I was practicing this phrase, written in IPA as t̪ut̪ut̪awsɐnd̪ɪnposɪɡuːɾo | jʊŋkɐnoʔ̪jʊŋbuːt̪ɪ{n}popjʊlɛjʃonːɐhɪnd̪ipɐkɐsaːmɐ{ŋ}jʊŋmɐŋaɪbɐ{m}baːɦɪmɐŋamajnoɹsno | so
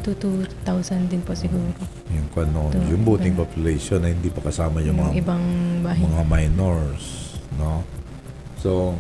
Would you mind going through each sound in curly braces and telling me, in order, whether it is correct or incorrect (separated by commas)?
incorrect, incorrect, incorrect